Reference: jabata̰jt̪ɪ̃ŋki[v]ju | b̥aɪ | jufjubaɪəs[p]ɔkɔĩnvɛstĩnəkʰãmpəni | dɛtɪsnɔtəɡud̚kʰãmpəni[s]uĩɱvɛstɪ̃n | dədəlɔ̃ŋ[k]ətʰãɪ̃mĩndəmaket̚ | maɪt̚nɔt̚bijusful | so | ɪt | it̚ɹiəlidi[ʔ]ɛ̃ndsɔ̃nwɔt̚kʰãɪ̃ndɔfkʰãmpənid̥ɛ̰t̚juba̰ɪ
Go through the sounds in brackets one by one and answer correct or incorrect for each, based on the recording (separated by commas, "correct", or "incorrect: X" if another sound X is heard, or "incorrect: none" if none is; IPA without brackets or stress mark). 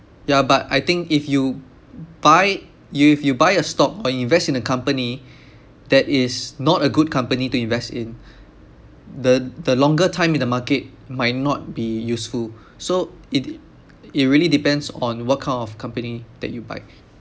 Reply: incorrect: f, incorrect: t, incorrect: t, incorrect: ɡ, incorrect: p